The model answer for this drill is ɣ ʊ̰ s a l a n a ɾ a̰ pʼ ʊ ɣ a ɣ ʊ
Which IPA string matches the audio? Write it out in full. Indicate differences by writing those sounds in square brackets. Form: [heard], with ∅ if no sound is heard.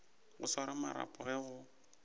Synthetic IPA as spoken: ɣ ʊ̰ s a [ɾ] a [m] a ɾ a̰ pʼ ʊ ɣ [ɛ] ɣ ʊ